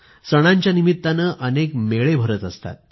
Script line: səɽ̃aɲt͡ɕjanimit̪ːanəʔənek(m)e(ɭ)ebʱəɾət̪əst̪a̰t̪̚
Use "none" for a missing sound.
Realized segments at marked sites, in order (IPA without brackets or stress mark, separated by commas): m, ɭ